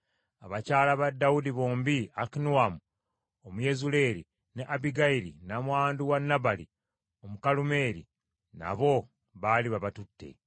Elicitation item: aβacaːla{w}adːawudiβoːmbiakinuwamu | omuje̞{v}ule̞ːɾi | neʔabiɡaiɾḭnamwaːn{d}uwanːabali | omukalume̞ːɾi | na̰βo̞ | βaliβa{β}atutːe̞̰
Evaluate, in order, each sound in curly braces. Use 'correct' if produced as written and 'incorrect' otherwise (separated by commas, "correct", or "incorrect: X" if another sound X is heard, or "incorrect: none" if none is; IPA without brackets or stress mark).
incorrect: β, incorrect: z, correct, correct